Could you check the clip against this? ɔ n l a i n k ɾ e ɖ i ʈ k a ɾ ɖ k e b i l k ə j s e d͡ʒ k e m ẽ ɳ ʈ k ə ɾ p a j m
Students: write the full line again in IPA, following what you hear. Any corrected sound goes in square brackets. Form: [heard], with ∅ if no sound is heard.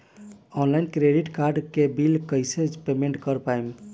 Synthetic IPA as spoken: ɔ n l a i n k ɾ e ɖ i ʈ k a ɾ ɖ k e b i l k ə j s e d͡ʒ [p] e m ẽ ɳ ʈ k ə ɾ p a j m